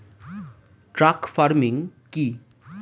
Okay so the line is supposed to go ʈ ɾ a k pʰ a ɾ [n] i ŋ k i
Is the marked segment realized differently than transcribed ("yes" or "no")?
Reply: yes